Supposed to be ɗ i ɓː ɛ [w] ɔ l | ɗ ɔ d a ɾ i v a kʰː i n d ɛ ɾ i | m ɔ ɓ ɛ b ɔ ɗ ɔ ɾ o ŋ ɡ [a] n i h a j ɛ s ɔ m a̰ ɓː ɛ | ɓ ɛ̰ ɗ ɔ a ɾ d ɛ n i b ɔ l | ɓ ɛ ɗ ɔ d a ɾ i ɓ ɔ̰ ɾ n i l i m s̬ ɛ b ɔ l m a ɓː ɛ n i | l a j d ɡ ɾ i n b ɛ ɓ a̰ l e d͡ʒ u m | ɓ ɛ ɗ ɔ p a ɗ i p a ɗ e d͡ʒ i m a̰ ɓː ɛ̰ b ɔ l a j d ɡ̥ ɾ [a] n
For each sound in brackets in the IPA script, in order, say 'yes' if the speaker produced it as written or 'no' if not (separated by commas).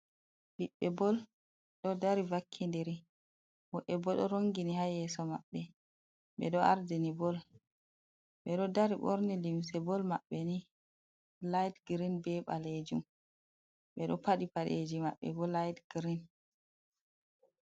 no, no, no